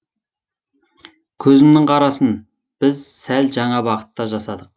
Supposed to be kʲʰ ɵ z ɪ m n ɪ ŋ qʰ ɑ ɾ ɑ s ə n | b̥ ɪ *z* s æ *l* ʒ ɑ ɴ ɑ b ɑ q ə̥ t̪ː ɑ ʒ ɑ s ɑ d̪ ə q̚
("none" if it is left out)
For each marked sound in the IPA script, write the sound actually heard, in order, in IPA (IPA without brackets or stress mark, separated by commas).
z, l